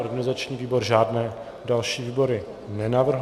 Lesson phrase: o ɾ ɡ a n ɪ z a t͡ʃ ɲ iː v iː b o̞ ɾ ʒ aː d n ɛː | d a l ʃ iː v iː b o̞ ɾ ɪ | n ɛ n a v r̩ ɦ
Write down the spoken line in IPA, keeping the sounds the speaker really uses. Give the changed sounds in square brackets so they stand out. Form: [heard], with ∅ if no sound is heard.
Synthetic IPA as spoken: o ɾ ɡ a n ɪ z a t͡ʃ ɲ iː v iː b o̞ ɾ ʒ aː d n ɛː | d a l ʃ iː v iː b o̞ ɾ ɪ | n ɛ n a v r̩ ɦ

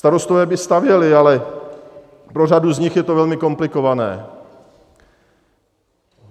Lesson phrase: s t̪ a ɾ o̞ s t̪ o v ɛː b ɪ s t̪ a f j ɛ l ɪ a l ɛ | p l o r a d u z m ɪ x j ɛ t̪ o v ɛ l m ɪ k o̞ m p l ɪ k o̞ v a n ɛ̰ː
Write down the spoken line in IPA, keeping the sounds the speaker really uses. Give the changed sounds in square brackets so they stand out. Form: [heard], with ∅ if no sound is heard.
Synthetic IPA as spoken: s t̪ a ɾ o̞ s t̪ o v ɛː b ɪ s t̪ a [v] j ɛ l ɪ a l ɛ | p [ɾ] o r a d u z [ɲ] ɪ x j ɛ t̪ o v ɛ l m ɪ k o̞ m p l ɪ k o̞ v a n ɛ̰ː

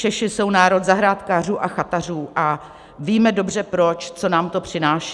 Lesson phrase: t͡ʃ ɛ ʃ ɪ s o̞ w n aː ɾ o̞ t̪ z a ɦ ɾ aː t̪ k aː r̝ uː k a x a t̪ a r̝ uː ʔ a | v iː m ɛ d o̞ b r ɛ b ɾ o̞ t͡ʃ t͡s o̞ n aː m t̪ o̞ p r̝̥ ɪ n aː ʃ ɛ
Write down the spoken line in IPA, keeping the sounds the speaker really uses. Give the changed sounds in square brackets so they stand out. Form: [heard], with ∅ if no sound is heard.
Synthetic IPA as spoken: t͡ʃ ɛ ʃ ɪ s o̞ w n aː ɾ o̞ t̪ z a ɦ ɾ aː t̪ k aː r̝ uː [ʔ] a x a t̪ a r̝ uː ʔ a | v iː m ɛ d o̞ b r ɛ [p] ɾ o̞ t͡ʃ t͡s o̞ n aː m t̪ o̞ p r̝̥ ɪ n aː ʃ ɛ

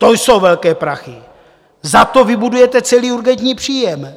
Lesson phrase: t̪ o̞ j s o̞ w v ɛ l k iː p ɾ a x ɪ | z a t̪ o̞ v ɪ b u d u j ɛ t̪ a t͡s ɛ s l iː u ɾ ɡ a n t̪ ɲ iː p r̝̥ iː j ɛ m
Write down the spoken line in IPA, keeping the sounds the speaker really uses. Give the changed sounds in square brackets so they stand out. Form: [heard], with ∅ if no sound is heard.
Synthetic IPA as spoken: t̪ o̞ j s o̞ w v ɛ l k [ɛː] p ɾ a x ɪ | z a t̪ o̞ v ɪ b u d u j ɛ t̪ [ɛ] t͡s ɛ [∅] l iː u ɾ ɡ [ɛ] n t̪ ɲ iː p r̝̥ iː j ɛ m

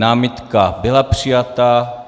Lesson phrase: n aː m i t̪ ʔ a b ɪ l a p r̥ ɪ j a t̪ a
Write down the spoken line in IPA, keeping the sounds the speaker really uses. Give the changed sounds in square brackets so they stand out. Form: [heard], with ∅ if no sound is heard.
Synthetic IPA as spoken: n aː m [ɪ] t̪ [k] a b ɪ l a p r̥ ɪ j a t̪ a

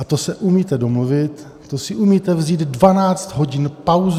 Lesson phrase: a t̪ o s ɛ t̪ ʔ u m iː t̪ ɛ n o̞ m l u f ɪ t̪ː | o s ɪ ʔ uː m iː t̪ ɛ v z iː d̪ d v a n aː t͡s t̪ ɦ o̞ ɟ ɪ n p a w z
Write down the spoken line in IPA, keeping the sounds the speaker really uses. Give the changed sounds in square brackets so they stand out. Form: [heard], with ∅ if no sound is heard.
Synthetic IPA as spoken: a t̪ o s ɛ [∅] ʔ u m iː t̪ ɛ [d] o̞ m l u [v] ɪ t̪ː | o s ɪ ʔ [u] m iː t̪ ɛ v z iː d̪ d v a n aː t͡s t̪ ɦ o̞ ɟ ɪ n p a w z

